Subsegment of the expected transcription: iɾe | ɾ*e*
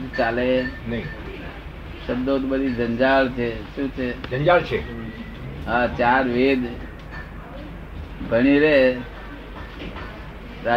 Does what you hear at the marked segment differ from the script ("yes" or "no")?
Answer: yes